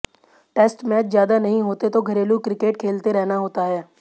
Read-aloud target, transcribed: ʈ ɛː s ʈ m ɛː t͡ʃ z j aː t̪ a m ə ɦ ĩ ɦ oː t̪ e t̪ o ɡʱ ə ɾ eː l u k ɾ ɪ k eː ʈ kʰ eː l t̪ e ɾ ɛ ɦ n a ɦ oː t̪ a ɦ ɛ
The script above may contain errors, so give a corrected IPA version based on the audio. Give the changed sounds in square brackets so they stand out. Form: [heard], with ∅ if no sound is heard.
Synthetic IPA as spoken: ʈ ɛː s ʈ m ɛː t͡ʃ z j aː [d̪] a [n] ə ɦ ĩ ɦ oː t̪ e t̪ o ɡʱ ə ɾ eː l u k ɾ ɪ k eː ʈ kʰ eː l t̪ e ɾ ɛ ɦ n a ɦ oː t̪ a ɦ [ɛː]